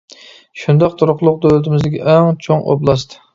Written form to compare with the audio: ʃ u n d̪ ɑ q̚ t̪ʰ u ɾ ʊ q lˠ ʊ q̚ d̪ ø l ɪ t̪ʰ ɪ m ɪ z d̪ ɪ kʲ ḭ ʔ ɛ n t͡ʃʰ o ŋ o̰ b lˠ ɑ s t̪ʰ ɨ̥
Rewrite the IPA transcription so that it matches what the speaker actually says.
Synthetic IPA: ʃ u n d̪ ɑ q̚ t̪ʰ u ɾ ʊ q lˠ ʊ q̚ d̪ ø l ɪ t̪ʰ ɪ m ɪ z d̪ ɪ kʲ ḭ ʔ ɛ ŋ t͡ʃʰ o ŋ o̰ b lˠ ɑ s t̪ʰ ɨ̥

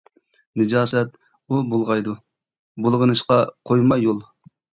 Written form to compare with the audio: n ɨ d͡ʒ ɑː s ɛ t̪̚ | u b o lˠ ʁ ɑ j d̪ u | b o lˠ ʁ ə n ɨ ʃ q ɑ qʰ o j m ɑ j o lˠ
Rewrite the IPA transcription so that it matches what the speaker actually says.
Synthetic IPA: n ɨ d͡ʒ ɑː s ɛ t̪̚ | u b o lˠ ʁ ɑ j d̪ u | b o lˠ ʁ ə n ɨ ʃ q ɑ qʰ o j m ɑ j o lˠ

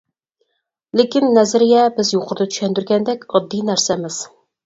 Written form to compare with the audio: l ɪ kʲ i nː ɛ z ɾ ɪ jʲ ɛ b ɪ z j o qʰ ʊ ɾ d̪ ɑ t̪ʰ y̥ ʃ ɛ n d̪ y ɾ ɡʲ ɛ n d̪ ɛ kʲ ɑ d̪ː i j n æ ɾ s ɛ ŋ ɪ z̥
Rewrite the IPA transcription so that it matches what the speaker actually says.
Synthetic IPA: l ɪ kʲ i nː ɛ z ɾ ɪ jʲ ɛ b ɪ z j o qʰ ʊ ɾ d̪ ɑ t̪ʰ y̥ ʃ ɛ n d̪ y ɾ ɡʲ ɛ n d̪ ɛ kʲ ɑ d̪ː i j n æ ɾ s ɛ m ɪ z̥

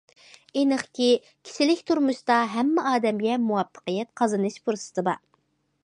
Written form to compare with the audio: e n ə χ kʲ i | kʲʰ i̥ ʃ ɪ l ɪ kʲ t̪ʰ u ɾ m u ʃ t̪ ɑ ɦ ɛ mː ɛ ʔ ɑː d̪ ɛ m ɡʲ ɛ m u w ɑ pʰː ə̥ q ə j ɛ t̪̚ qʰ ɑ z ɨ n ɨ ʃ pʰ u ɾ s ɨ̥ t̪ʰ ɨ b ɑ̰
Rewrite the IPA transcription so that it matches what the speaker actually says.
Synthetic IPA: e n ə χ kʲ i | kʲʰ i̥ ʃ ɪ l ɪ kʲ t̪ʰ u ɾ m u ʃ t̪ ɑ ɦ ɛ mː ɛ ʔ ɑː d̪ ɛ m ɡʲ ɛ m u w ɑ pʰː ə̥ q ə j ɛ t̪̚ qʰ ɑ z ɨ n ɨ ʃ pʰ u ɾ s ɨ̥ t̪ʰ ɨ b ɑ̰

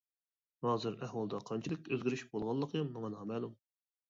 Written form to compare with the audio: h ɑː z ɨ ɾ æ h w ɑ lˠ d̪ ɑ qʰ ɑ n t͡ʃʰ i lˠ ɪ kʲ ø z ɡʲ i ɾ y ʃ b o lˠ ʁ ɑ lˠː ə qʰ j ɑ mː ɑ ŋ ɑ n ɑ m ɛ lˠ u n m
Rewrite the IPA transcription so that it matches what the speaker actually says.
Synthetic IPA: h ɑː z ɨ ɾ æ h w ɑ lˠ d̪ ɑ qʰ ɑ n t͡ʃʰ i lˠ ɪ kʲ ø z ɡʲ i ɾ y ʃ b o lˠ ʁ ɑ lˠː ə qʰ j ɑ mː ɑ ŋ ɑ n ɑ m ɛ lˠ u m

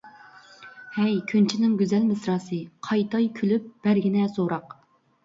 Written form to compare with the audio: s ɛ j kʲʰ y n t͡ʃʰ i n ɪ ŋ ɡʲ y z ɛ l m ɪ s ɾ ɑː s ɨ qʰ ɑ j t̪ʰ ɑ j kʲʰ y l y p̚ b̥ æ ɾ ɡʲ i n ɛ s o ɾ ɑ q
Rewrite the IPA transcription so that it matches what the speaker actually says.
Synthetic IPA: h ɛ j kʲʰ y n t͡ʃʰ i n ɪ ŋ ɡʲ y z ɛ l m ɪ s ɾ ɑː s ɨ qʰ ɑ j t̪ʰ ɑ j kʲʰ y l y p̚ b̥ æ ɾ ɡʲ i n ɛ s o ɾ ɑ q

